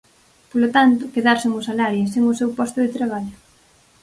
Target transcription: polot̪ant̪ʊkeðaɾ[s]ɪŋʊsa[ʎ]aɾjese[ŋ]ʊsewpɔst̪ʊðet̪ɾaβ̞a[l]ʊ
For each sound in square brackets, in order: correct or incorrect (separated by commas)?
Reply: correct, incorrect, correct, incorrect